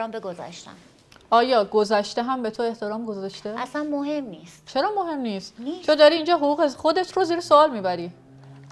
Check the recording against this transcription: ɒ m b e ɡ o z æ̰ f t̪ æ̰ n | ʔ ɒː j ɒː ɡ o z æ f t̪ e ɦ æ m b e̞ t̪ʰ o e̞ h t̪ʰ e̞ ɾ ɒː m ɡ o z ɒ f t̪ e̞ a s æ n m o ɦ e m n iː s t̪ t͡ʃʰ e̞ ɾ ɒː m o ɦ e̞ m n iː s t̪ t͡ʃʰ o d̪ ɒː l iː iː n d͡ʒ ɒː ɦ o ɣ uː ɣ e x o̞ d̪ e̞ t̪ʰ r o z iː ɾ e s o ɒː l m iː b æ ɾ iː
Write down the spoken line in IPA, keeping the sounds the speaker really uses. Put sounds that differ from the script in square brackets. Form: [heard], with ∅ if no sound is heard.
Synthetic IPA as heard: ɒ m b e ɡ o z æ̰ [ʃ] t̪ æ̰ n | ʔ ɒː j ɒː ɡ o z æ [ʃ] t̪ e ɦ æ m b e̞ t̪ʰ o e̞ h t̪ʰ e̞ ɾ ɒː m ɡ o z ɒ [ʃ] t̪ e̞ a s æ n m o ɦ e m n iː s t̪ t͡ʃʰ e̞ ɾ ɒː m o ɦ e̞ m n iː s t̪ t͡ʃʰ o d̪ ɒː [ɾ] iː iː n d͡ʒ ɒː ɦ o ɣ uː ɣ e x o̞ d̪ e̞ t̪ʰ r o z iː ɾ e s o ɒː l m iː b æ ɾ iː

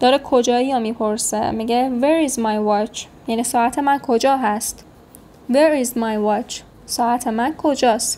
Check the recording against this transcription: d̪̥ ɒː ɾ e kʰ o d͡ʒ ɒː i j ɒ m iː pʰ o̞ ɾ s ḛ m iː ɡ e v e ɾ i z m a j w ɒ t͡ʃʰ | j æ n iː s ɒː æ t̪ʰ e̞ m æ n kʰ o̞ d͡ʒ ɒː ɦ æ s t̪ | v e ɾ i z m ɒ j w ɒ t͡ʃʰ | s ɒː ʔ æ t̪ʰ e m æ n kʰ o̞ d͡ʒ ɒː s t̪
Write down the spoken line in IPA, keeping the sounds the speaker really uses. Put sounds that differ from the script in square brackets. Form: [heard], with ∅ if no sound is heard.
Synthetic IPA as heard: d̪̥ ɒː ɾ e kʰ o d͡ʒ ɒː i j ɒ m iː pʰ o̞ ɾ s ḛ m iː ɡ e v e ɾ i z m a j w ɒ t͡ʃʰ | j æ n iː s ɒː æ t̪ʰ e̞ m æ n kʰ o̞ d͡ʒ ɒː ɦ æ s t̪ | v e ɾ i z m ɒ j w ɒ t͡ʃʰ | s ɒː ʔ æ t̪ʰ e m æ n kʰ o̞ d͡ʒ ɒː s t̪

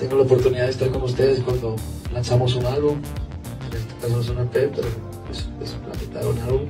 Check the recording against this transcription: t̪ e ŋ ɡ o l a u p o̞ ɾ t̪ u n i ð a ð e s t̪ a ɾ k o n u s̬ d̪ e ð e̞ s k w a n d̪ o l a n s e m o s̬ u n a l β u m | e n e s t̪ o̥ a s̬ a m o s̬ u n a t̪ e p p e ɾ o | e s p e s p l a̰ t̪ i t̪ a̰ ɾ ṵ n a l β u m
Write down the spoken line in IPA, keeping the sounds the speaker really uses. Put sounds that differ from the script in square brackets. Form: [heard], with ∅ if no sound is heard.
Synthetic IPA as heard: t̪ e ŋ ɡ o l a [o] p o̞ ɾ t̪ u n i ð a ð e s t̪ a ɾ k o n u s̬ [t̪] e ð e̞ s k w a n d̪ o l a n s [a] m o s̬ u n a l β u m | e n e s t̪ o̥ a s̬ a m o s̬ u n a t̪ e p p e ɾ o | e s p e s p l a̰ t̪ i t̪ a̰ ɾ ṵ n a l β u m

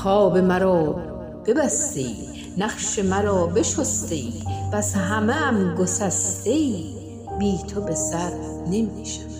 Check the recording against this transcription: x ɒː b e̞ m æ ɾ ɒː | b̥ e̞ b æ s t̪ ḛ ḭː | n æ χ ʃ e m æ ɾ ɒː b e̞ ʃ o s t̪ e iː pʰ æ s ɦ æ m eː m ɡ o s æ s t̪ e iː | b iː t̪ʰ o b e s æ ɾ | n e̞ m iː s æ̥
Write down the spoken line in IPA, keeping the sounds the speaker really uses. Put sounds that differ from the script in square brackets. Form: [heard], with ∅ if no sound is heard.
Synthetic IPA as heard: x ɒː b e̞ m æ ɾ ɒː | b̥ e̞ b æ s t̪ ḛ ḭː | n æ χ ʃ e m æ ɾ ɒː b e̞ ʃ o s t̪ e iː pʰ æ s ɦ æ m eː m ɡ o s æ s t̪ e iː | b iː t̪ʰ o b e s æ ɾ | n e̞ m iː [ʃ] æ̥

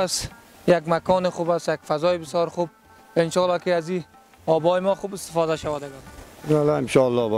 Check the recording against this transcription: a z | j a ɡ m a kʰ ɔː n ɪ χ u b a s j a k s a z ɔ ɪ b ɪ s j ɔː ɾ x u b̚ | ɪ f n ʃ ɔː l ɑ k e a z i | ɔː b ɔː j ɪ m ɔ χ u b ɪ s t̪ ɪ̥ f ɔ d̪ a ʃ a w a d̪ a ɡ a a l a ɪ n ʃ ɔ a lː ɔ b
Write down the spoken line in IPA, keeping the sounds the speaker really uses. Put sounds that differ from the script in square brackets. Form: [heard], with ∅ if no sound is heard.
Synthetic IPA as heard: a [s] | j a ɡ m a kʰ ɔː n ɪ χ u b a s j a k [f] a z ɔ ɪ b ɪ s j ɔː ɾ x u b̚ | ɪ [∅] n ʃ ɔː l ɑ k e a z i | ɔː b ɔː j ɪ m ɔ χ u b ɪ s t̪ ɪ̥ f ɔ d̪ a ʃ a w a d̪ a ɡ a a l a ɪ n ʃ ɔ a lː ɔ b

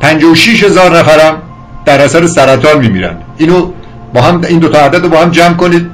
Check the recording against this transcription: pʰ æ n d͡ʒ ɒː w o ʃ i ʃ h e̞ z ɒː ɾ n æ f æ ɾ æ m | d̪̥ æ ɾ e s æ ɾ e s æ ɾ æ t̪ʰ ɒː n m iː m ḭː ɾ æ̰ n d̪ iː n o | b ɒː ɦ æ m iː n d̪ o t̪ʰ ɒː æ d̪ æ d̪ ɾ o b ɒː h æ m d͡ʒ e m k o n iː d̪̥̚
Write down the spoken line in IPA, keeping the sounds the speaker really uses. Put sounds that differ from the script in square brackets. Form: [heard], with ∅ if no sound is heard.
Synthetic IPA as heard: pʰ æ n d͡ʒ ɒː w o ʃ i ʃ h e̞ z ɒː ɾ n æ f æ ɾ æ m | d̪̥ æ ɾ [æ] s æ ɾ e s æ ɾ æ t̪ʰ ɒː n m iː m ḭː ɾ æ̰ n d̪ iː n o | b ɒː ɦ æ m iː n d̪ o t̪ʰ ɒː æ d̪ æ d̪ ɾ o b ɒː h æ m d͡ʒ [æ] m k o n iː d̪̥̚

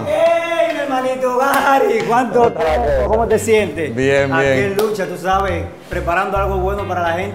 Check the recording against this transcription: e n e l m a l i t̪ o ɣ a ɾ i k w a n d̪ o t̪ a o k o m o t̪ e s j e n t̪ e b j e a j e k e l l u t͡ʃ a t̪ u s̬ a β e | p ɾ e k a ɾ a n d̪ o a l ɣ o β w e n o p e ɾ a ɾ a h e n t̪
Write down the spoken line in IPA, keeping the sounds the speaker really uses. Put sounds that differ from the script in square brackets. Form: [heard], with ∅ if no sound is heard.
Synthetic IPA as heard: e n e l m a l i t̪ o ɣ a ɾ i k w a n [t̪] o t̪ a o k o m o t̪ e s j e n t̪ e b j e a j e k e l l u t͡ʃ a t̪ u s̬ a β e | p ɾ e [p] a ɾ a n d̪ o a l ɣ o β w e n o p [a] ɾ a [l] a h e n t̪

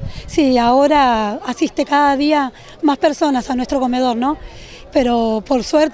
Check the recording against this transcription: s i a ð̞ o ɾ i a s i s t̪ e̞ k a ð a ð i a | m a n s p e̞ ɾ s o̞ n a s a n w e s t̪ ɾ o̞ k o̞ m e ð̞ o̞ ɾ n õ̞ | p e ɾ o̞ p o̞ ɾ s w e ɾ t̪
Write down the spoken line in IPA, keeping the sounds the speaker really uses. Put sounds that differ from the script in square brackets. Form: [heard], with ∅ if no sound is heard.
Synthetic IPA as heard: s i a [∅] o ɾ [a] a s i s t̪ e̞ k a ð a ð i a | m a [∅] s p e̞ ɾ s o̞ n a s a n w e s t̪ ɾ o̞ k o̞ m e ð̞ o̞ ɾ n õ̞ | p e ɾ o̞ p o̞ ɾ s w e ɾ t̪

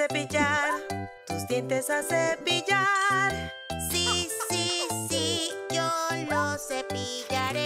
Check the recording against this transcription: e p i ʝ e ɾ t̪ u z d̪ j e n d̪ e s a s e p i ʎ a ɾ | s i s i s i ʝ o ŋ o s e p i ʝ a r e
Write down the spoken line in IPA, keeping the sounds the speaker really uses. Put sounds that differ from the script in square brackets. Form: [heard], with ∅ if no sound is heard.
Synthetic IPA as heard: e p i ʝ [a] ɾ t̪ u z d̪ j e n [t̪] e s a s e p i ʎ a ɾ | s i s i s i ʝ o [n] o s e p i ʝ a [ɾ] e

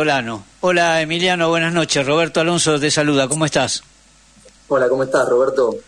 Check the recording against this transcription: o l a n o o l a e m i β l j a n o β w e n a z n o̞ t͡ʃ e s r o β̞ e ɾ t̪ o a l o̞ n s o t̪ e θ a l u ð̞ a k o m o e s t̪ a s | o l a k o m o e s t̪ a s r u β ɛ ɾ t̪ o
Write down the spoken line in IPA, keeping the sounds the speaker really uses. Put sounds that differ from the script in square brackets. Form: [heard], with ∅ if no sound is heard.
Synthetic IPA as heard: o l a n o o l a e m i [∅] l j a n o β w e n a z n o̞ t͡ʃ e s r o β̞ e ɾ t̪ o a l o̞ n s o t̪ e [s] a l u ð̞ a k o m o e s t̪ a s | o l a k o m o e s t̪ a s r [o] β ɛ ɾ t̪ o

